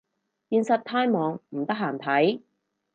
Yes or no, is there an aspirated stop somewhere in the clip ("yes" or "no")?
yes